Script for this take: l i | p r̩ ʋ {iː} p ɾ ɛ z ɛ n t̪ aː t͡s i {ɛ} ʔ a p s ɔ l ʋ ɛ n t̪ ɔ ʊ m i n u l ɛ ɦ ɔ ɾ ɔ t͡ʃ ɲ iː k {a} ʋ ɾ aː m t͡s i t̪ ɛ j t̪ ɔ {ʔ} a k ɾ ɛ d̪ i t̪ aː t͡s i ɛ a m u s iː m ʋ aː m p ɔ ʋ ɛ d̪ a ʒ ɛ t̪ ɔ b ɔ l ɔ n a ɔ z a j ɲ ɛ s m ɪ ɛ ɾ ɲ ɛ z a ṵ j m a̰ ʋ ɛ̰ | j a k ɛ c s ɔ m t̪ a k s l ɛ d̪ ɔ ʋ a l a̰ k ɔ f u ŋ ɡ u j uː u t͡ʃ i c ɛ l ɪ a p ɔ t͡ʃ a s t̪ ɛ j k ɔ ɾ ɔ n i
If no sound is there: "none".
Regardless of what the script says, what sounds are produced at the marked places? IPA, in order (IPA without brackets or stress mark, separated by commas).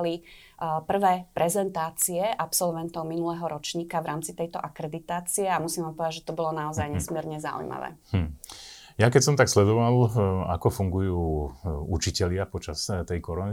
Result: ɛː, ɛ, a, ʔ